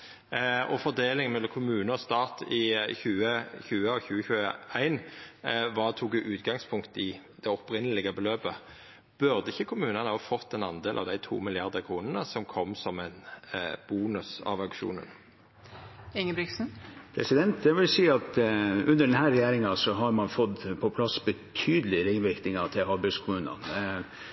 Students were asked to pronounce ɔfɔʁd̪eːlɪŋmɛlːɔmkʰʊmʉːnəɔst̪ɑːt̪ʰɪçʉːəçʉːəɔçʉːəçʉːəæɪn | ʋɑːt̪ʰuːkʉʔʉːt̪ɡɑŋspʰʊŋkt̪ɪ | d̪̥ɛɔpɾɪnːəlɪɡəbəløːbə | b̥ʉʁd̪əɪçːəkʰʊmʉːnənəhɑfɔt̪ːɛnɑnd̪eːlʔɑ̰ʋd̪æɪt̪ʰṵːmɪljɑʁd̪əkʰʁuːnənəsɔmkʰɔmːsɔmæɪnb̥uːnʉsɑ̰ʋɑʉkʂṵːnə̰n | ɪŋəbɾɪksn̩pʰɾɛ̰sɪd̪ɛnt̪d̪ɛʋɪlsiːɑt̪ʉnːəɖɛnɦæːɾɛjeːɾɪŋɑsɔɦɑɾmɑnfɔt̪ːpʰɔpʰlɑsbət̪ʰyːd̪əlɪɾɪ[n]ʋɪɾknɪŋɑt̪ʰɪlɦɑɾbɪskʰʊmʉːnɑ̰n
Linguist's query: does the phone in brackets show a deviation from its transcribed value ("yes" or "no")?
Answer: yes